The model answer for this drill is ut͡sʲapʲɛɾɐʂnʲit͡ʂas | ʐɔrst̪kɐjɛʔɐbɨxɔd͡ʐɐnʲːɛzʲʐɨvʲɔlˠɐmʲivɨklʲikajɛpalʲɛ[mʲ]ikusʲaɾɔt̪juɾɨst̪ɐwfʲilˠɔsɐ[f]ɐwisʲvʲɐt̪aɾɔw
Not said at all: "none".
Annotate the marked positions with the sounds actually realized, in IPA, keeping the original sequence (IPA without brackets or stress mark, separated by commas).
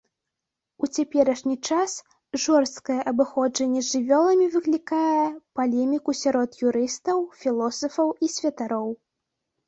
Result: mʲ, f